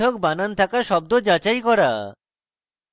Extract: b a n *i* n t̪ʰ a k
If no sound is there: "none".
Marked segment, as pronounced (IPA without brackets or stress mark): a